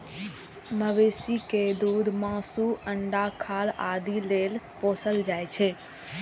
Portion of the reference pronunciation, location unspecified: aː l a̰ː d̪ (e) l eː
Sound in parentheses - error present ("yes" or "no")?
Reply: yes